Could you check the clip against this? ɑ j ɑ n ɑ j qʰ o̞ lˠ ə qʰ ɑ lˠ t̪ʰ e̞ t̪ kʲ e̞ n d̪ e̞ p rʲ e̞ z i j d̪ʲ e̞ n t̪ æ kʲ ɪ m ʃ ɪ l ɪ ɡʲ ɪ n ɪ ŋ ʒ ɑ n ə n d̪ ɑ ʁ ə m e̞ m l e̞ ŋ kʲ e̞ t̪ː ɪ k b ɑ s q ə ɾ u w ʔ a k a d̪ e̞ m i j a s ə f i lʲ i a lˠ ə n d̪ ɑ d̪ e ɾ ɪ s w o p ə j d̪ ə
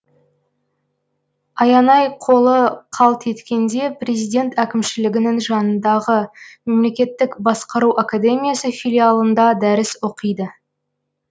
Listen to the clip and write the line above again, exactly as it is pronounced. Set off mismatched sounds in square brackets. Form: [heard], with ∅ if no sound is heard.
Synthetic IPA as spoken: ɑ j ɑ n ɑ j qʰ o̞ lˠ ə qʰ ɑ lˠ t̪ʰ e̞ t̪ kʲ e̞ n d̪ e̞ p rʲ e̞ z i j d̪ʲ e̞ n t̪ æ kʲ ɪ m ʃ ɪ l ɪ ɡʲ ɪ n ɪ ŋ ʒ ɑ n ə n d̪ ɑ ʁ ə m e̞ m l e̞ [∅] kʲ e̞ t̪ː ɪ k b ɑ s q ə ɾ u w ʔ a k a d̪ e̞ m i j a s ə f i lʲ i a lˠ ə n d̪ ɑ d̪ [æ] ɾ ɪ s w o [q] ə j d̪ ə